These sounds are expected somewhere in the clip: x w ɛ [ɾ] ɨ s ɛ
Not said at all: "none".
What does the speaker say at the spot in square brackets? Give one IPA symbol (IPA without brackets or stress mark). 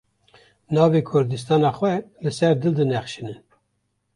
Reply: l